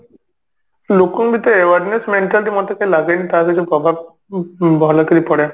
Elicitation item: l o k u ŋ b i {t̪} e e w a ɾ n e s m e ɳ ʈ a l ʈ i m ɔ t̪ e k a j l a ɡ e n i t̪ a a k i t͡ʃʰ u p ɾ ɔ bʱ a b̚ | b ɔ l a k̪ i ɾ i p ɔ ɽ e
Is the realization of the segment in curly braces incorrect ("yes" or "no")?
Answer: no